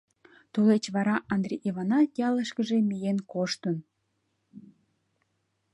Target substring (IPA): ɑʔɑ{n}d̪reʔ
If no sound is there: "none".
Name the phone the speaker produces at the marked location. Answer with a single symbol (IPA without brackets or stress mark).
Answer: n